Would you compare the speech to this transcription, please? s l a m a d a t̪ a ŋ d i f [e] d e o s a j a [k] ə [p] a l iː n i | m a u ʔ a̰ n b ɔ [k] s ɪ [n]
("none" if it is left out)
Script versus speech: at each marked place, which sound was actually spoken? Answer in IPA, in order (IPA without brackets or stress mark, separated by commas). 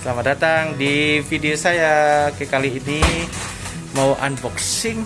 i, k, k, k, ŋ